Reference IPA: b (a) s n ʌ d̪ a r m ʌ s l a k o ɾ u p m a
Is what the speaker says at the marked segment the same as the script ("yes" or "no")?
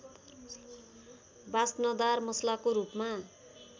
yes